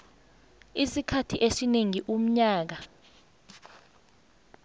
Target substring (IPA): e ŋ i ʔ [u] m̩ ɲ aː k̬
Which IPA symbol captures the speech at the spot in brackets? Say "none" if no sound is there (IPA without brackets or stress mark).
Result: u